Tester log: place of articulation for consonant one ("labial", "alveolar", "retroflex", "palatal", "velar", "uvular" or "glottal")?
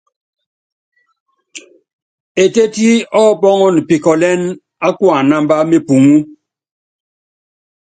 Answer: alveolar